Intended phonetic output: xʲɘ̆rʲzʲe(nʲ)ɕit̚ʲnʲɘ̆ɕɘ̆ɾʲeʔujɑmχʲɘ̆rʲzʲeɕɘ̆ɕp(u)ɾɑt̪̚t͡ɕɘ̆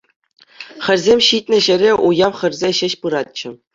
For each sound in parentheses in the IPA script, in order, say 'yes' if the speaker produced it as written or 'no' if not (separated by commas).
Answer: no, no